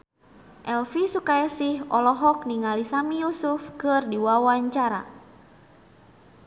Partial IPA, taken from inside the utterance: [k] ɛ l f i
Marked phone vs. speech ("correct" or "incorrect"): incorrect